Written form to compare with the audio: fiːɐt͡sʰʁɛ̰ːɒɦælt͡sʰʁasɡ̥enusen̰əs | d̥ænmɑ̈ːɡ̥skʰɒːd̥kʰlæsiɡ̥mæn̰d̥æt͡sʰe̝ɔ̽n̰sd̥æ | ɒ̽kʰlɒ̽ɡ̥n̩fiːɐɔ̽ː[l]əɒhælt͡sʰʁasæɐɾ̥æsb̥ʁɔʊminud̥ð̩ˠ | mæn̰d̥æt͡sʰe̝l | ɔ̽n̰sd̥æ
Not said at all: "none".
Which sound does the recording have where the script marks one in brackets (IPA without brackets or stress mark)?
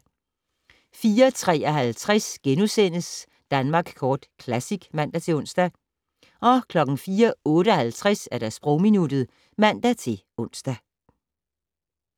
ɾ